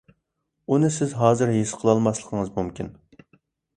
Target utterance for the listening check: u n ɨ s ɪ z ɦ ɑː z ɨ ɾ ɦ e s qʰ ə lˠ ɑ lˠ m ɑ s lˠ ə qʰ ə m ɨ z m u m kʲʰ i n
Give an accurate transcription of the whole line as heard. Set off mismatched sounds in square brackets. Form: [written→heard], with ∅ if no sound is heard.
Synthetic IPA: u n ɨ s ɪ z ɦ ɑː z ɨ ɾ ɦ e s qʰ ə lˠ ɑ lˠ m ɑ s lˠ ə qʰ ə [m→ŋ] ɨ z m u m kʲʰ i n